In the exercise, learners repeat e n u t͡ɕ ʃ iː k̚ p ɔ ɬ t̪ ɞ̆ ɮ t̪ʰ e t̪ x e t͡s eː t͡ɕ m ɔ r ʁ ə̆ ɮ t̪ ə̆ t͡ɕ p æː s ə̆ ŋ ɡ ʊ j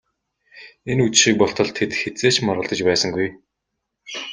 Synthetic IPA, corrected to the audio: e n u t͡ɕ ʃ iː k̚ p ɔ ɬ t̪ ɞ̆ ɮ t̪ʰ e t̪ x e t͡s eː t͡ɕ m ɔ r ʁ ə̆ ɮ t̪ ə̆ t͡ɕ p æː s ə̆ ŋ ɡ u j